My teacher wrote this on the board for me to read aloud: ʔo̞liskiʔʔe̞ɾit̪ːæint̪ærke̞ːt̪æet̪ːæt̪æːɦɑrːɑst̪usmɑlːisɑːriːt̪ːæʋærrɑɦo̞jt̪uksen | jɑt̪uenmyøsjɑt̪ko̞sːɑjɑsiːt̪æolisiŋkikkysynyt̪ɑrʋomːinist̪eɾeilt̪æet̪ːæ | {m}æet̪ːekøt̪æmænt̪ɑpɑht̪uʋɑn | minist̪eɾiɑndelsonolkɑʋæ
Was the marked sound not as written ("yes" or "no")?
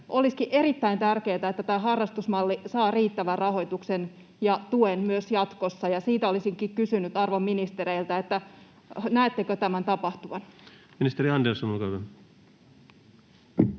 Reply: yes